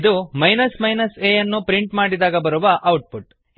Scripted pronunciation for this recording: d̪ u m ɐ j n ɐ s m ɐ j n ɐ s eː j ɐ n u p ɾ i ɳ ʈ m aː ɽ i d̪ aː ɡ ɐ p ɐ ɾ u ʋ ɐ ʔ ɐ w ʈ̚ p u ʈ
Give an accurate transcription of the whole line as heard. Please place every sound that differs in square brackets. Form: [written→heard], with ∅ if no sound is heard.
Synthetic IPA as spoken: d̪ u m ɐ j n ɐ s m ɐ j n ɐ s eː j ɐ [n→nː] u p ɾ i ɳ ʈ m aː ɽ i d̪ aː ɡ ɐ [p→b] ɐ ɾ u ʋ ɐ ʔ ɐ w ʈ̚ p u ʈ